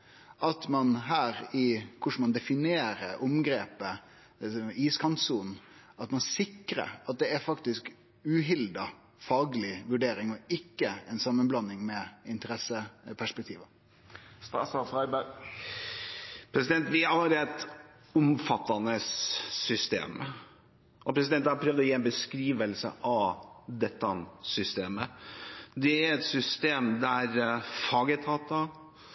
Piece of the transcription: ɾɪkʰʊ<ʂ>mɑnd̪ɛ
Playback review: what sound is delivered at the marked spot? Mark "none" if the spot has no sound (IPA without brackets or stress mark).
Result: ʂ